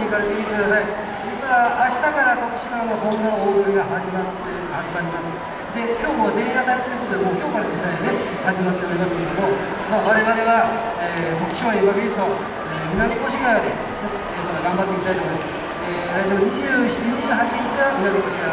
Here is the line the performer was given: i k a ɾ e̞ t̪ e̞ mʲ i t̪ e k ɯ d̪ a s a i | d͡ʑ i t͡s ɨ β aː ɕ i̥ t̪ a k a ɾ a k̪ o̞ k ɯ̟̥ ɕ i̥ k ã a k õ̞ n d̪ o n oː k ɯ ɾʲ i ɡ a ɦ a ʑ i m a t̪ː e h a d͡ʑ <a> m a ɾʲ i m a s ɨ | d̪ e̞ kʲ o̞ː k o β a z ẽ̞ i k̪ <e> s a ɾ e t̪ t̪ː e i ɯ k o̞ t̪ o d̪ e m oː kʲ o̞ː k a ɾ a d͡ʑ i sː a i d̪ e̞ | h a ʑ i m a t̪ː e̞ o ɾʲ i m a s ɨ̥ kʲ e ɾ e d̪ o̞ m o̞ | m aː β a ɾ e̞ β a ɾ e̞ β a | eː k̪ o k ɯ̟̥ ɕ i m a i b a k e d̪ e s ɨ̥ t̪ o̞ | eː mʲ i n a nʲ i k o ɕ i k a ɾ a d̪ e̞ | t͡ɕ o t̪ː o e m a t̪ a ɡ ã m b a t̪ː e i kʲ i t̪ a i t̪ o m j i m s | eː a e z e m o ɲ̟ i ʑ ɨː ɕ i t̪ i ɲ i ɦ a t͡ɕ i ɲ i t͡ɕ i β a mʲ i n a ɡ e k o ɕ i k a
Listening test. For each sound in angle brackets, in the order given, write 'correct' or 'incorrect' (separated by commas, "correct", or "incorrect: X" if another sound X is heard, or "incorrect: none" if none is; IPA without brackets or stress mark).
incorrect: i, incorrect: a